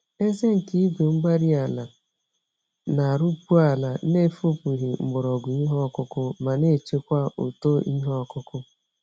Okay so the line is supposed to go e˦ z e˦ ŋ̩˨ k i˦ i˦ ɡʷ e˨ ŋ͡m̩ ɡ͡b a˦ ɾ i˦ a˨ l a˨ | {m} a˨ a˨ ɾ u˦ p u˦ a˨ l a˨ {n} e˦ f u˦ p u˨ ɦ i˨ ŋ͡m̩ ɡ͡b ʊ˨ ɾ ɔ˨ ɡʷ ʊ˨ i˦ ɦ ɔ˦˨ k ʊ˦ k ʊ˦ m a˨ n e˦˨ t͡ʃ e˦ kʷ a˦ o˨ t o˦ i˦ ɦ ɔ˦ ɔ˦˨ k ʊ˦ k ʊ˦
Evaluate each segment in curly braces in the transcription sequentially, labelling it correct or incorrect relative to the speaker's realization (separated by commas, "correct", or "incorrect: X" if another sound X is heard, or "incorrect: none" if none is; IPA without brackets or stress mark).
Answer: incorrect: n, correct